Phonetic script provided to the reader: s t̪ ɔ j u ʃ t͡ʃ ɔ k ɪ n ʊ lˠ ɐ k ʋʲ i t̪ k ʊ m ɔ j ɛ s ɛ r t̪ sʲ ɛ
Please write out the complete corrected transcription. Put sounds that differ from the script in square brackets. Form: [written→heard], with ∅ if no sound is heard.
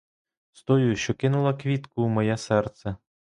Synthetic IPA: s t̪ ɔ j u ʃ t͡ʃ ɔ k ɪ n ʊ lˠ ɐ k ʋʲ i t̪ k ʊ m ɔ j ɛ s ɛ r t̪ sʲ ɛ